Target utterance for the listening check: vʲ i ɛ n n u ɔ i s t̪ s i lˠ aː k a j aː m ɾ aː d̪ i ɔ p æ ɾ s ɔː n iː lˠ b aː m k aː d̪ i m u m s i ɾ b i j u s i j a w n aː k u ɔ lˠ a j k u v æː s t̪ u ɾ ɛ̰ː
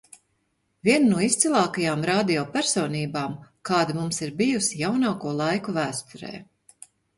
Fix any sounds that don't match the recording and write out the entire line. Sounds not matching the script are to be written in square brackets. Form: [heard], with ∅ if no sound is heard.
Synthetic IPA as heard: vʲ i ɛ n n u ɔ i s t̪ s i lˠ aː k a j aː m ɾ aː d̪ i ɔ p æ ɾ s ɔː n iː [∅] b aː m k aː d̪ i m u m s i ɾ b i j u s i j a w n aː k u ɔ lˠ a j k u v æː s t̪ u ɾ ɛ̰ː